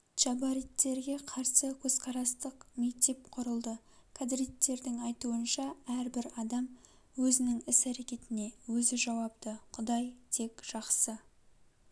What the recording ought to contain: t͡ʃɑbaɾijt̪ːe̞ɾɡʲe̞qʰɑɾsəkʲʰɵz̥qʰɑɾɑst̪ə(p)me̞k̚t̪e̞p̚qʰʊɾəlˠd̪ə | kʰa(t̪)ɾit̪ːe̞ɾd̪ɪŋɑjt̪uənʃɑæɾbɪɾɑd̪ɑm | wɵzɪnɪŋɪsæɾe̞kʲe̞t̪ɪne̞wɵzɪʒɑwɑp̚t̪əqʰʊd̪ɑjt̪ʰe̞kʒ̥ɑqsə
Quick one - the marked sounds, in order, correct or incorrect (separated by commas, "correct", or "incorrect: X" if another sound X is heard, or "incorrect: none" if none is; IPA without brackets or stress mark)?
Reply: incorrect: q, incorrect: d̪